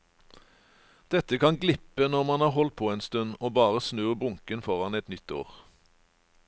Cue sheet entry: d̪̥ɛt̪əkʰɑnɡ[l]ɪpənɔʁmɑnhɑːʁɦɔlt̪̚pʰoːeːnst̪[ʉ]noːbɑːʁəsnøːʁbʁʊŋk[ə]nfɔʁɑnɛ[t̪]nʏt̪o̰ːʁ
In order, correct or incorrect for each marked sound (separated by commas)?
correct, correct, correct, correct